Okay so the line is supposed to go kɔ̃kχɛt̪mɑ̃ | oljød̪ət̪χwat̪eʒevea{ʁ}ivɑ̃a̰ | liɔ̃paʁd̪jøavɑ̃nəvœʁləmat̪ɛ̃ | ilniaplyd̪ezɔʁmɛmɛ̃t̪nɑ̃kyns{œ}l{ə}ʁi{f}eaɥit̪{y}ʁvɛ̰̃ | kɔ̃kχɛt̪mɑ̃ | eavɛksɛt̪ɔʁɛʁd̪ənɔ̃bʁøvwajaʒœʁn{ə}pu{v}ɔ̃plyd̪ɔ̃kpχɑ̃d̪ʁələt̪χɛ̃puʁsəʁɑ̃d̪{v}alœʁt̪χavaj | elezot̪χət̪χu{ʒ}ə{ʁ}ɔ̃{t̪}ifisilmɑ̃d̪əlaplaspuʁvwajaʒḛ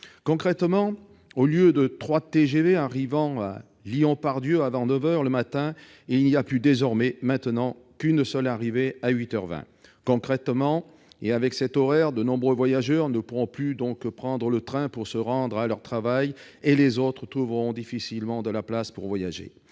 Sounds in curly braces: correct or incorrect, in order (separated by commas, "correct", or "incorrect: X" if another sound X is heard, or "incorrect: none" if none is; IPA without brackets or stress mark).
correct, correct, incorrect: a, incorrect: v, incorrect: œ, correct, incorrect: ʁ, incorrect: ʁ, incorrect: v, correct, incorrect: d̪